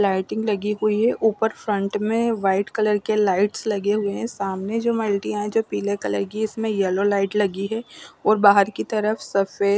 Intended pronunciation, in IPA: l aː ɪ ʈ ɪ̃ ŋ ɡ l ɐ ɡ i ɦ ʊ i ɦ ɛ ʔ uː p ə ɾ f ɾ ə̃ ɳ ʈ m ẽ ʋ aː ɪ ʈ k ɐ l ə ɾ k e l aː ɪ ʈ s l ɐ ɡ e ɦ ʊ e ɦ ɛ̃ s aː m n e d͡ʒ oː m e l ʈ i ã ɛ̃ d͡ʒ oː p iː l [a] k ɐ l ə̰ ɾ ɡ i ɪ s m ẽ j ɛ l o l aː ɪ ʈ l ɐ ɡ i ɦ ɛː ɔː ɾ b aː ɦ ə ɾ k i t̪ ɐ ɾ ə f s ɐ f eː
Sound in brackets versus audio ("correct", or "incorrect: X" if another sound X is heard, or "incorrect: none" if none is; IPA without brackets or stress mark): incorrect: e